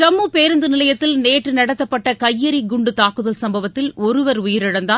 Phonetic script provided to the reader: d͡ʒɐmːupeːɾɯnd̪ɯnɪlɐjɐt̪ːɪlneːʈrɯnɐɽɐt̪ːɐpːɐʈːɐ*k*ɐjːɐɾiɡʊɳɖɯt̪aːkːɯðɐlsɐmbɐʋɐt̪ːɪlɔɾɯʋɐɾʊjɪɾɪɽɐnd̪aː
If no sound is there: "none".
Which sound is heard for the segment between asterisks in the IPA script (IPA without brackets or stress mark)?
k